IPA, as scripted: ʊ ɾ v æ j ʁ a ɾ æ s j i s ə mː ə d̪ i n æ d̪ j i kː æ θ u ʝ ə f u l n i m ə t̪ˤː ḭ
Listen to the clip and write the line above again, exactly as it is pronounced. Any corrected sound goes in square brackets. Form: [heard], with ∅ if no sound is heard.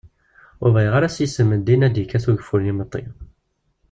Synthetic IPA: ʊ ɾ v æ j ʁ a ɾ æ s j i s ə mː ə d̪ i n æ d̪ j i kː æ θ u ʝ ə f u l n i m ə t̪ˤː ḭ